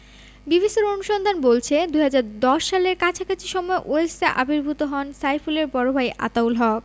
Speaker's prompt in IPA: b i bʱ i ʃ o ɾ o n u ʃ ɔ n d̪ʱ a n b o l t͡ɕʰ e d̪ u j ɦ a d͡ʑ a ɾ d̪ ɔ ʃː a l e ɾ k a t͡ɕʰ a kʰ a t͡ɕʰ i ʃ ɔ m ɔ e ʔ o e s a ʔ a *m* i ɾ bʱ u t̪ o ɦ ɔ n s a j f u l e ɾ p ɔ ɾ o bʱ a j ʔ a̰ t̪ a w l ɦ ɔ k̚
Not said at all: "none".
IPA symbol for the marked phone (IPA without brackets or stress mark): b